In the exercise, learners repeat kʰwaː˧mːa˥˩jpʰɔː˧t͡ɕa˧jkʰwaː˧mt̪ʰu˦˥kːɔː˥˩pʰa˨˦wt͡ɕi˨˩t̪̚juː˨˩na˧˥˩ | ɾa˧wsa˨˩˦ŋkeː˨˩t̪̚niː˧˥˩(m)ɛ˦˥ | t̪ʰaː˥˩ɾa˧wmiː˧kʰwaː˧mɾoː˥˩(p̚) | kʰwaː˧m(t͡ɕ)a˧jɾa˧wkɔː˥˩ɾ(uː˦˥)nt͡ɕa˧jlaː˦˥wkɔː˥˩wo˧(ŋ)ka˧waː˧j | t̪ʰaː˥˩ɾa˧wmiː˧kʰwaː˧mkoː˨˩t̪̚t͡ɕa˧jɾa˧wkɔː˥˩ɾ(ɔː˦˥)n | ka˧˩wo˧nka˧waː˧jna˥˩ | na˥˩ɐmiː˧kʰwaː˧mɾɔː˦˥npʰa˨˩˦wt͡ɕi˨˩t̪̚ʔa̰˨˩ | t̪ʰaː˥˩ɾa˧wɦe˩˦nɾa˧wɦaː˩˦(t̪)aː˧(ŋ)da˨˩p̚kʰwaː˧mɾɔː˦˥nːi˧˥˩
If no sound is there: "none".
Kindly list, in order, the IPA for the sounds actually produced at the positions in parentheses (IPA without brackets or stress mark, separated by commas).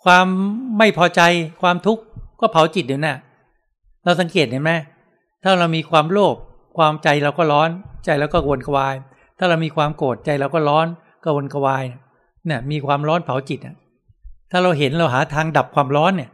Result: m, p̚, t͡ɕ, ɔː˦˥, n, ɔː˦˥, t̪ʰ, ŋ